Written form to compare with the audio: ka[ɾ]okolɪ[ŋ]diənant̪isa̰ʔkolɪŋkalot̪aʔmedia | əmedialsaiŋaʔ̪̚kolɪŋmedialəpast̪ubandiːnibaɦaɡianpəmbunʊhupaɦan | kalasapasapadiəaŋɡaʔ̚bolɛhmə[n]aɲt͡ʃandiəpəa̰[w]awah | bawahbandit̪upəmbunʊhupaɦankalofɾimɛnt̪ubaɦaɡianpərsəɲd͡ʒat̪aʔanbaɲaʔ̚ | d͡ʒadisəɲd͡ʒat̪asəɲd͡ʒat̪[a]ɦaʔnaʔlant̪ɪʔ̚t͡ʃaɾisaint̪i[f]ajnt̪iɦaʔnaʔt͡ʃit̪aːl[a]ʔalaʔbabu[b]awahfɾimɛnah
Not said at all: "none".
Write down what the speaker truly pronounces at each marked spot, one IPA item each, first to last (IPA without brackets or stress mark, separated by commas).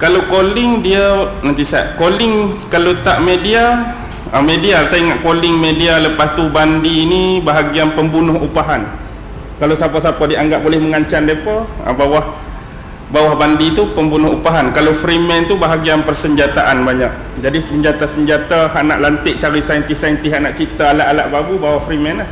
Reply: l, ŋ, ŋ, b, a, s, a, b